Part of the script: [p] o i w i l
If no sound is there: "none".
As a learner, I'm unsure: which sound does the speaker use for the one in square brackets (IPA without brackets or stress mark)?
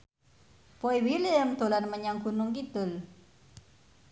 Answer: p